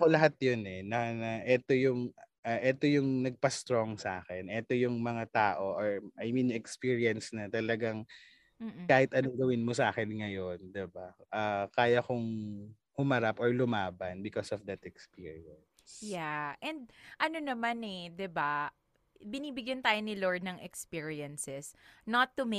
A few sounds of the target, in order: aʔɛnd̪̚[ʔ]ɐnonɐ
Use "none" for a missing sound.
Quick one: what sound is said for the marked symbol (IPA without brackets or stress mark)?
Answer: ʔ